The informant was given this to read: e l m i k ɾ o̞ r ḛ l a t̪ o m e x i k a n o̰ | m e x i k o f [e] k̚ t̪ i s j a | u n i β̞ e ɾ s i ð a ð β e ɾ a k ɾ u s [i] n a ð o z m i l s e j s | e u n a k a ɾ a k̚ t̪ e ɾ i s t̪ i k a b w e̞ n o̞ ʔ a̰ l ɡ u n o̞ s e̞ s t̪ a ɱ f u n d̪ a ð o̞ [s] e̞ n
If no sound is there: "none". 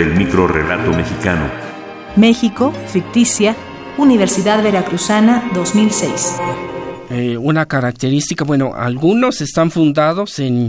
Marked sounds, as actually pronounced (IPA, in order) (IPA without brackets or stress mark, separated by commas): i, a, s